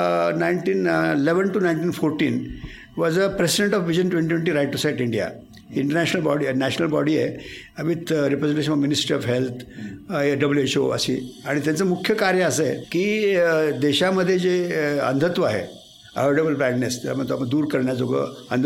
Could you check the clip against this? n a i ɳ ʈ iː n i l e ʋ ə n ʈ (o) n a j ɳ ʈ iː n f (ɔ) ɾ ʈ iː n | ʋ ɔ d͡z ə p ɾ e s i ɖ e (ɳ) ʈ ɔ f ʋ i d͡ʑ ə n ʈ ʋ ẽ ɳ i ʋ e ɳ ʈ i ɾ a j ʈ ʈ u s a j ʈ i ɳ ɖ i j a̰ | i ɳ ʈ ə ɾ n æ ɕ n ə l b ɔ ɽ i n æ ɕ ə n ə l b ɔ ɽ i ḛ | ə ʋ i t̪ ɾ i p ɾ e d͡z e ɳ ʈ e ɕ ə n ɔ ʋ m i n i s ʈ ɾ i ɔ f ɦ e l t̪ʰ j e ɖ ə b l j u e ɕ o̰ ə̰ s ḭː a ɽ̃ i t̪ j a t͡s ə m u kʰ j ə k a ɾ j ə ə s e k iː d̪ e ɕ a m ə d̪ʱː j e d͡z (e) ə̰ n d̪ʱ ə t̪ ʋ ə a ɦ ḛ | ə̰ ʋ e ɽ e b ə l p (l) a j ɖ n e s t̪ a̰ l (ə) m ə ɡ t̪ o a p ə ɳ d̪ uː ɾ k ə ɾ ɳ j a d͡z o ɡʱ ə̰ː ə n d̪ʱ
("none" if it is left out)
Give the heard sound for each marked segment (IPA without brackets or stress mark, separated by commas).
u, o, ɳ, e, ɾ, a